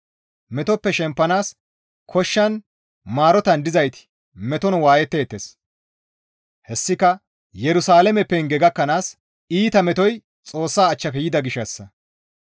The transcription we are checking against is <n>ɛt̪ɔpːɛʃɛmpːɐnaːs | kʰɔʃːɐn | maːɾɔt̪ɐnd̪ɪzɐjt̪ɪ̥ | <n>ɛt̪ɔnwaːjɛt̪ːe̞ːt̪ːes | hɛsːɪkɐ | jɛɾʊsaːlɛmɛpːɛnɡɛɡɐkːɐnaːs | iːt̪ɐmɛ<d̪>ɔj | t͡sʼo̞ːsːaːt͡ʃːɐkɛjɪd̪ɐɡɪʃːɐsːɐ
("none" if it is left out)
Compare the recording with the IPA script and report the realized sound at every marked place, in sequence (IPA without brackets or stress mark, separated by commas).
m, m, t̪